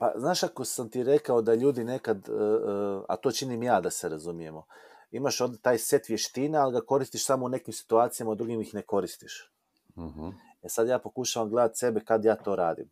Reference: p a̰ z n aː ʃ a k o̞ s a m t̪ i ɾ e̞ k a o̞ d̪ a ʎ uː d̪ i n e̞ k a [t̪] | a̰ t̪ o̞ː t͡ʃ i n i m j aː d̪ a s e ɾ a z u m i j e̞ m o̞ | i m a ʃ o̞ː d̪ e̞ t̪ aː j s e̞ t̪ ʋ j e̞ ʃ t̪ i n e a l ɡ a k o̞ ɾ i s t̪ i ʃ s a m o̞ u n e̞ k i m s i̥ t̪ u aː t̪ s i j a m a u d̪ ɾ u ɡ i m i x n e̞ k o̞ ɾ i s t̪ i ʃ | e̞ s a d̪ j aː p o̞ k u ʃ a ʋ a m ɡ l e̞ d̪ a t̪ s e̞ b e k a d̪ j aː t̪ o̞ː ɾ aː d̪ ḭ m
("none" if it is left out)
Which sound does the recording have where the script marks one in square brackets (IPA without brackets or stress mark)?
d̪